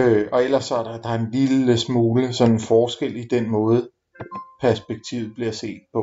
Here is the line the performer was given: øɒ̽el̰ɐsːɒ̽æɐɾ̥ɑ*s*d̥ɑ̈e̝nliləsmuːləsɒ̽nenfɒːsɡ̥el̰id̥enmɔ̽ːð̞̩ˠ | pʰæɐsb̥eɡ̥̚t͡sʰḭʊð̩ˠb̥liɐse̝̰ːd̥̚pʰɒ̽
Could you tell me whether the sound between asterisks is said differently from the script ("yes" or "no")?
yes